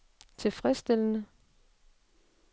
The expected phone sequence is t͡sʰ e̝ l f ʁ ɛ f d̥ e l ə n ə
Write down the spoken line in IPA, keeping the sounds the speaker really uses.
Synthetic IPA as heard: t͡sʰ e̝ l f ʁ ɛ s d̥ e l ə n ə